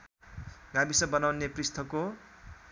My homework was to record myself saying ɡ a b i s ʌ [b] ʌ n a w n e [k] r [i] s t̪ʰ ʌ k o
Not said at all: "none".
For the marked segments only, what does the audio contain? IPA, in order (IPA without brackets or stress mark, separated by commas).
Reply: b, p, i